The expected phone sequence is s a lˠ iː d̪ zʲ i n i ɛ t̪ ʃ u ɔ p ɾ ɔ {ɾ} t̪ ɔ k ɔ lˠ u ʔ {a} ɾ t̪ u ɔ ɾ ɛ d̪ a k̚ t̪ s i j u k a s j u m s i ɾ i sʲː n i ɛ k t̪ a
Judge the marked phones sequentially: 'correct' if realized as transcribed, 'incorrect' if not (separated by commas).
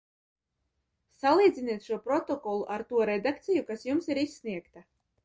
incorrect, correct